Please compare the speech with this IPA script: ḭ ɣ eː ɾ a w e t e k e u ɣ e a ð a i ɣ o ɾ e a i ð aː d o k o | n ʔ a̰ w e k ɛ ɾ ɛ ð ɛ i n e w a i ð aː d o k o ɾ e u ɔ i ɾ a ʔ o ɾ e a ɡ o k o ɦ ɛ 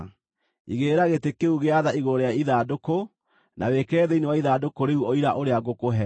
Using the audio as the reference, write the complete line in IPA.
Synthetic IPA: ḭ ɣ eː ɾ a ɣ e t e k e u ɣ e a ð a i ɣ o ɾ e a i ð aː d o k o | n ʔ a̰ w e k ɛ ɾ ɛ ð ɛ i n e w a i ð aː d o k o ɾ e u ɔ i ɾ a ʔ o ɾ e a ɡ o k o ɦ ɛ